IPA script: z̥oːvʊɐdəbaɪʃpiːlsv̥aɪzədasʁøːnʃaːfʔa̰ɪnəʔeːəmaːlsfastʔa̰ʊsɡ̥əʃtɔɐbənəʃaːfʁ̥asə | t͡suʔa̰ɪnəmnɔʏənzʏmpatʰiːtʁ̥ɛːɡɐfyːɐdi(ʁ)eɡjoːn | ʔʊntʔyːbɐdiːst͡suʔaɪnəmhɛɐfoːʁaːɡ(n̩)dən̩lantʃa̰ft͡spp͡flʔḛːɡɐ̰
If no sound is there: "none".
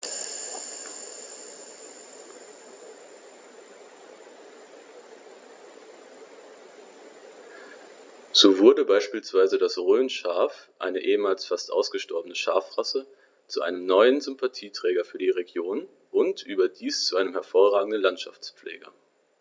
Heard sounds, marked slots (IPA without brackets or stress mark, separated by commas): ʁ, ŋ̩